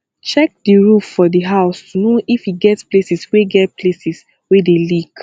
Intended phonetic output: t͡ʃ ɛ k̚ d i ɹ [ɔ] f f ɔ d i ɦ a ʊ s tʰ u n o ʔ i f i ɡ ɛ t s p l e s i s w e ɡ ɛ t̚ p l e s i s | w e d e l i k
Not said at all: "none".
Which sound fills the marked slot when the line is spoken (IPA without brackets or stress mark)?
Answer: u